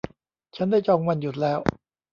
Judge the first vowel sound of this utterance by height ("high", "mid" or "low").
low